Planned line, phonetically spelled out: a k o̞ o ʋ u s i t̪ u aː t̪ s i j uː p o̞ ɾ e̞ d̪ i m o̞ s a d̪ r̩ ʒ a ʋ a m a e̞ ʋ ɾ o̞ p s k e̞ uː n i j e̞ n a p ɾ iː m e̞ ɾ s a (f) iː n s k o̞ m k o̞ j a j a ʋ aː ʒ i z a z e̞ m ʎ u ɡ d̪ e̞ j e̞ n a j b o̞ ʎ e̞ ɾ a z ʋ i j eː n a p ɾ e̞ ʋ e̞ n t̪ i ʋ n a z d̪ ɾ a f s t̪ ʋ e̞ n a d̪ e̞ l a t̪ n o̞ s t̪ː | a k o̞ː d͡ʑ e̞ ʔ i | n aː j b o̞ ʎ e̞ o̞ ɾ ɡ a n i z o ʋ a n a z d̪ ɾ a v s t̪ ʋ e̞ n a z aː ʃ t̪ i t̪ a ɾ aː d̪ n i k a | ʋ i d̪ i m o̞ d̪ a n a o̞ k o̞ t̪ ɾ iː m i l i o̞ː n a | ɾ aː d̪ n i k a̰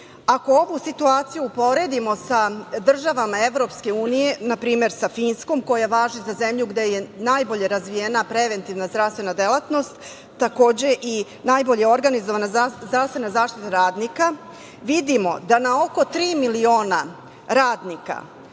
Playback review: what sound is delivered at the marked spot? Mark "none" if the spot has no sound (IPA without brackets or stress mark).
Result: f